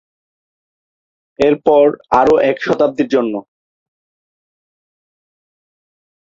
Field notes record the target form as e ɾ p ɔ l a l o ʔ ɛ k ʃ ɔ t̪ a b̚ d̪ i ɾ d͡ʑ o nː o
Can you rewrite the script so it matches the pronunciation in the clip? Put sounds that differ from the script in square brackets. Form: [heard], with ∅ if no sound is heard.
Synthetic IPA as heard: e ɾ p ɔ [ɾ] a [ɾ] o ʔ ɛ k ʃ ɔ t̪ a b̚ d̪ i ɾ d͡ʑ o nː o